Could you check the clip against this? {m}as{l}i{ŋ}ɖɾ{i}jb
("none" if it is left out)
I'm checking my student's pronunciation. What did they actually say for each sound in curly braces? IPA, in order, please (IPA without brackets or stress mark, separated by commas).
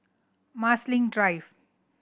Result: m, l, ŋ, a